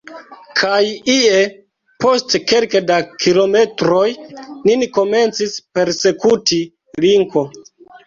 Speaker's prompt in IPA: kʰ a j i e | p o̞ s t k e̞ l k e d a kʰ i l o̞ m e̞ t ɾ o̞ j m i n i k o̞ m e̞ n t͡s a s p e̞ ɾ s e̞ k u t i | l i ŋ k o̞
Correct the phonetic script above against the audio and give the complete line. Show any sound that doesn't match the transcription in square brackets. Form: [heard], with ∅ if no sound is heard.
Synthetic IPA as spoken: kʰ a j i e | p o̞ s t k e̞ l k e d a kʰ i l o̞ m e̞ t ɾ o̞ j [n] i n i k o̞ m e̞ n t͡s [i] s p e̞ ɾ s e̞ k u t i | l i ŋ k o̞